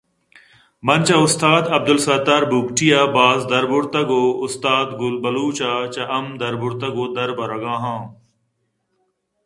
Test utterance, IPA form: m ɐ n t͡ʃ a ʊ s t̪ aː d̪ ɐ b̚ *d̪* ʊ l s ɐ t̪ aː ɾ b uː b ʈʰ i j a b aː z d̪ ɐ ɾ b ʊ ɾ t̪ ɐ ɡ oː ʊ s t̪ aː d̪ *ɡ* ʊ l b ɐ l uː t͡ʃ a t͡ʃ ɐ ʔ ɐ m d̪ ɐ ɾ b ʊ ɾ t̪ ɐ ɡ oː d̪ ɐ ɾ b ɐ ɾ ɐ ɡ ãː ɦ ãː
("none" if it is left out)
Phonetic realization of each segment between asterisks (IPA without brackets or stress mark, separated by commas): d̪, ɡ